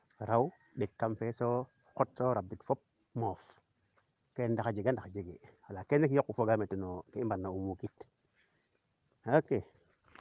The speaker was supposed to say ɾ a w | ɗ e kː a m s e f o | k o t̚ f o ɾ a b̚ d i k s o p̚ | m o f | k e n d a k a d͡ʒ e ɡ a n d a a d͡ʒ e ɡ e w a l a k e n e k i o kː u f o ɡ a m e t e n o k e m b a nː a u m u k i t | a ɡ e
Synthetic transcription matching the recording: ɾ a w | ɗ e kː a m f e s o | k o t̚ s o ɾ a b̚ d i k f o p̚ | m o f | k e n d a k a d͡ʒ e ɡ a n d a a d͡ʒ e ɡ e w a l a k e n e k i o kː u f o ɡ a m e t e n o k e m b a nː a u m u k i t | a k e